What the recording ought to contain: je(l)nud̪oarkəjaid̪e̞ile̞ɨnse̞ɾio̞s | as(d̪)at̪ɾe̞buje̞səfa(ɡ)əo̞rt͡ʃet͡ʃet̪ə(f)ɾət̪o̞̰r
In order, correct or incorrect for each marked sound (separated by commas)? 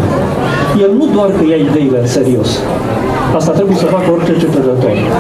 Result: correct, incorrect, incorrect, incorrect